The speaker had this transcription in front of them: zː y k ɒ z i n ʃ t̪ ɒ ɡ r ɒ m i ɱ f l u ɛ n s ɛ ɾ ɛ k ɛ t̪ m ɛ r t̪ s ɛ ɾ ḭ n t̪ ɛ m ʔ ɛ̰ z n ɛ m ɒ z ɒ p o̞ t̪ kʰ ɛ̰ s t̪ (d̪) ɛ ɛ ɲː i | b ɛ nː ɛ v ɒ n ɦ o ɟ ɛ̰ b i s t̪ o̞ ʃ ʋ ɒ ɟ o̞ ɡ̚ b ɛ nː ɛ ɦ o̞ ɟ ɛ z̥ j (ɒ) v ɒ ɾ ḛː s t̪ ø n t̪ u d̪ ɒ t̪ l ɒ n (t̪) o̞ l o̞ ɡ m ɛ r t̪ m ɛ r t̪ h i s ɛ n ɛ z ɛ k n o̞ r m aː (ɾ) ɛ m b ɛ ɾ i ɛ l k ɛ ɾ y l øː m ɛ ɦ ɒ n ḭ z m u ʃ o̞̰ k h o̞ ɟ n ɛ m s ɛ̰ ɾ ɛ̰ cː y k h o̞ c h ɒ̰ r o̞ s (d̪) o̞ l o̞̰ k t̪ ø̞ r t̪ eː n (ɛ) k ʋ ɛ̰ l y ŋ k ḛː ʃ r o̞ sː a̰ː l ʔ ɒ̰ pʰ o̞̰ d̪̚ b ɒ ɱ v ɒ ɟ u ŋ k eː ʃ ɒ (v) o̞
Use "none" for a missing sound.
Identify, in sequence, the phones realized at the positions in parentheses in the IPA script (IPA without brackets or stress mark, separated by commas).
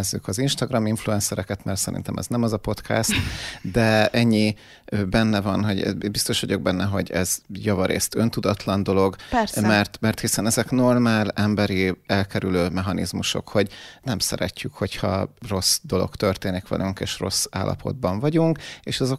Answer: d̪, ɒ, d̪, l, d̪, i, z